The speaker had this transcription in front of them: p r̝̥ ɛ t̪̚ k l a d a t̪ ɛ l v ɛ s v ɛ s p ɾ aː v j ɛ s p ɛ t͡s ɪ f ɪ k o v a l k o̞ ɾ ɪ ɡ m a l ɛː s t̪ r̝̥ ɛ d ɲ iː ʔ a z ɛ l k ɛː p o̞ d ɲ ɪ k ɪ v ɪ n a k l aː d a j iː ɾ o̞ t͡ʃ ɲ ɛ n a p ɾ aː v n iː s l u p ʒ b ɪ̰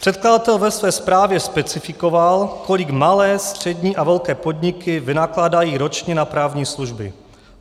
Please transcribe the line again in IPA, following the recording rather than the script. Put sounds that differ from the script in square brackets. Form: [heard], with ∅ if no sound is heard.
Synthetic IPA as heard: p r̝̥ ɛ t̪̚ k l a d a t̪ ɛ l v ɛ s v [ɛː] s p ɾ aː v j ɛ s p ɛ t͡s ɪ f ɪ k o v a l k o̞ [l] ɪ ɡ m a l ɛː s t̪ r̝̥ ɛ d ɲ iː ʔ a [v] ɛ l k ɛː p o̞ d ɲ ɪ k ɪ v ɪ n a k l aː d a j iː ɾ o̞ t͡ʃ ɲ ɛ n a p ɾ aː v [ɲ] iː s l u [∅] ʒ b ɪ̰